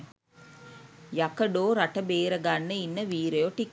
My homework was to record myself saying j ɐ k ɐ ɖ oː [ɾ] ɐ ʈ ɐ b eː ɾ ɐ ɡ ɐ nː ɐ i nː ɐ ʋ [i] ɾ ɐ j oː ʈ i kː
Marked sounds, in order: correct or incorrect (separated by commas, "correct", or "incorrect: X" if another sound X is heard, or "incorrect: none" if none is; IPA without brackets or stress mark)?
correct, incorrect: iː